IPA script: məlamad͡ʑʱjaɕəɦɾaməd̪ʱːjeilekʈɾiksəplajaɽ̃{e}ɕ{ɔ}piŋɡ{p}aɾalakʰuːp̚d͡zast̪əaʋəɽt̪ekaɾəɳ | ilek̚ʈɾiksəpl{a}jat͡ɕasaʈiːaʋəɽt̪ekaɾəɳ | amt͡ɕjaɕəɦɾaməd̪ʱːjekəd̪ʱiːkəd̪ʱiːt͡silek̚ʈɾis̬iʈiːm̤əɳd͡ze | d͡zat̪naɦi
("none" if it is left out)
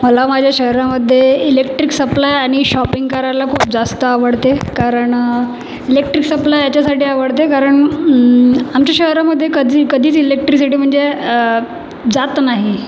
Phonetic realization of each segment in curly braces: i, ɔ, k, a

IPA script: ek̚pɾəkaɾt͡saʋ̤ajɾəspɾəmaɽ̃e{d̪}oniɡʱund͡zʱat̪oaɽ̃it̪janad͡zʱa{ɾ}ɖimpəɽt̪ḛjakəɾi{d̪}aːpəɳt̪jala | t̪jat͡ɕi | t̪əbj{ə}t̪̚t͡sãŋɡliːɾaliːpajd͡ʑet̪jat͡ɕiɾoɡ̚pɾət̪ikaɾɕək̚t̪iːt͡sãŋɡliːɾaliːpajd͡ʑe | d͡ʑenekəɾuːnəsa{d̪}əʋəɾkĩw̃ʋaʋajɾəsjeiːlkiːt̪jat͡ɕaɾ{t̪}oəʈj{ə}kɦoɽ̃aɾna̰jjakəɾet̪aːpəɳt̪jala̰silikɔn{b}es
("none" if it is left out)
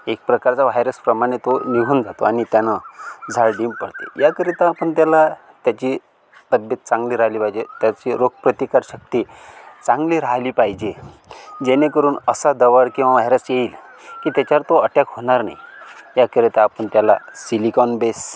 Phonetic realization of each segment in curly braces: t̪, ɭ, t̪, ə, d̪, t̪, a, b

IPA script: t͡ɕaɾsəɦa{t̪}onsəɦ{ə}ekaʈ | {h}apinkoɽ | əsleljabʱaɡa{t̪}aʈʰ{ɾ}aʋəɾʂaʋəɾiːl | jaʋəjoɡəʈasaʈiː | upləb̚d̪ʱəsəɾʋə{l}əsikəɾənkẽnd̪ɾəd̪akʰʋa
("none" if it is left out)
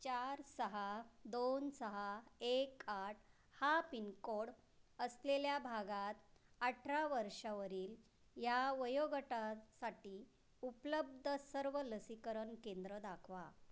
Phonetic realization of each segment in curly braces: d̪, a, h, t̪, ɾ, l

